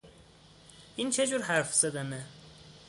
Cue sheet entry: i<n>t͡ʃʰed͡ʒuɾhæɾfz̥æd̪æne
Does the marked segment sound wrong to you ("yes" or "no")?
no